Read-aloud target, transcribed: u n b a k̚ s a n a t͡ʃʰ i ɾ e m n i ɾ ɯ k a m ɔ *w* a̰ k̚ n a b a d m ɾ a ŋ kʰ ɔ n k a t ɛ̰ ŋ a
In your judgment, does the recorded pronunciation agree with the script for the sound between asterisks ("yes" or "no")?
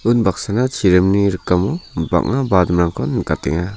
no